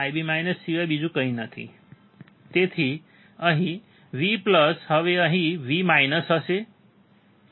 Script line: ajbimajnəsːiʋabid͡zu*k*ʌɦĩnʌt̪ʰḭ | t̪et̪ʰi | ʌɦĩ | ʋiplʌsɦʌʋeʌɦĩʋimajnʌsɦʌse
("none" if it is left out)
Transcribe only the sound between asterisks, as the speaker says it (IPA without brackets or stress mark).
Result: k